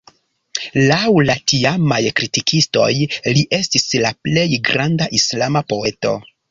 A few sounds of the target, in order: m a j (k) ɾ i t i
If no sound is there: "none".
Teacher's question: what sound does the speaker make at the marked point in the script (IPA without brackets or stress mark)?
k